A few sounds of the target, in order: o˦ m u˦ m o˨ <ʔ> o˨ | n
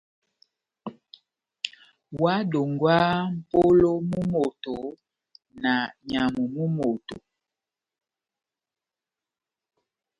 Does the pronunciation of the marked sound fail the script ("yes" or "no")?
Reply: yes